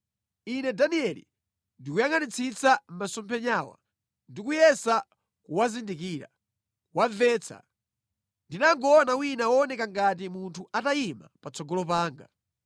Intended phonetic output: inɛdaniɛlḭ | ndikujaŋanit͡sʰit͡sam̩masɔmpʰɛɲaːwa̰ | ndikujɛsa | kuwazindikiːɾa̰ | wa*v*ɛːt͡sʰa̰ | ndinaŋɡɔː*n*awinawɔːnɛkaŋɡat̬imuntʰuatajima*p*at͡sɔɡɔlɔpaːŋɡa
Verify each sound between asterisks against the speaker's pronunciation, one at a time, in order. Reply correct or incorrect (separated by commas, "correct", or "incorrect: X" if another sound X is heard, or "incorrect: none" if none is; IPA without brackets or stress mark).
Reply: correct, correct, correct